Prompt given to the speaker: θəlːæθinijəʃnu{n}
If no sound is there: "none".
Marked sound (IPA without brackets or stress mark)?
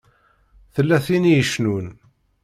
n